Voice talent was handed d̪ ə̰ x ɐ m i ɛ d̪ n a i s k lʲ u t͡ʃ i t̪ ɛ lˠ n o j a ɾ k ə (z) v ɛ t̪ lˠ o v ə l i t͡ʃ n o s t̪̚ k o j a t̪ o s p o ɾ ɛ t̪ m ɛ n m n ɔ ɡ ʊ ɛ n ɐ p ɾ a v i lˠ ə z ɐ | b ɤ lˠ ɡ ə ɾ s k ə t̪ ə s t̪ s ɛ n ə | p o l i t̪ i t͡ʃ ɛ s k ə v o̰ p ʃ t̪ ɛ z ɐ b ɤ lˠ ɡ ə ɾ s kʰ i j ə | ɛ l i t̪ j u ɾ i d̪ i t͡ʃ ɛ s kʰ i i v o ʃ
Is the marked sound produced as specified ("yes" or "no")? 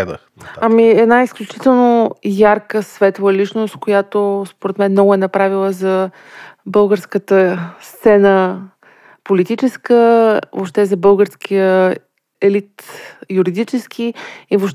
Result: no